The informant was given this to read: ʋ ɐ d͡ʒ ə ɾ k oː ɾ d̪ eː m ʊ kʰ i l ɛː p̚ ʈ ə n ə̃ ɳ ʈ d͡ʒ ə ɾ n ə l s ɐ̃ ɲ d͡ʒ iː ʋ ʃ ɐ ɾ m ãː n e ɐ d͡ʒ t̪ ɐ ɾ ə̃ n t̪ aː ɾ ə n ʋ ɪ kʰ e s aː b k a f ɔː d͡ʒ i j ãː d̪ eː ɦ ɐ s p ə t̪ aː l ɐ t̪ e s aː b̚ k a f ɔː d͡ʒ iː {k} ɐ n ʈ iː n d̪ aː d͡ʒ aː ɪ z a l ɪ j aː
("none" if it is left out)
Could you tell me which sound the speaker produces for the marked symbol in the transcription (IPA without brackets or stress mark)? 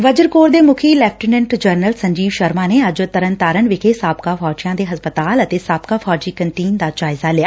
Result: k